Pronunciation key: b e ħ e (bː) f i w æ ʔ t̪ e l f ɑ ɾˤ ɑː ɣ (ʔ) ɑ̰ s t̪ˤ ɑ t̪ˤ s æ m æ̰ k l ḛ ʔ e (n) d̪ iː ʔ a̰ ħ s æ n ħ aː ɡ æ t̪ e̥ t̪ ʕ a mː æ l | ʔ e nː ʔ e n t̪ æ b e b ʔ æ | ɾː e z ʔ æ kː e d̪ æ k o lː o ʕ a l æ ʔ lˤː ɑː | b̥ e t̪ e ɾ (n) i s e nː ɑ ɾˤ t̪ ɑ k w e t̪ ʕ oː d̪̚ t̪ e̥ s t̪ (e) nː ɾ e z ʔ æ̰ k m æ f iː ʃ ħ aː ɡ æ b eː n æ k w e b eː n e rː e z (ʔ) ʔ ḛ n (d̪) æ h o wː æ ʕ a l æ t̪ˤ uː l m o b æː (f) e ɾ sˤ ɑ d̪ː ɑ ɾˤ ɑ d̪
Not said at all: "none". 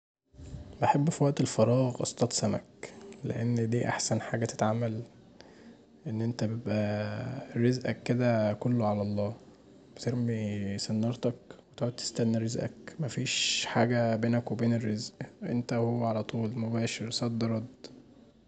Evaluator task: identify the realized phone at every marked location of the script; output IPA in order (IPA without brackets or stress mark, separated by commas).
bː, ʔ, nː, m, æ, ʔ, t̪, ʃ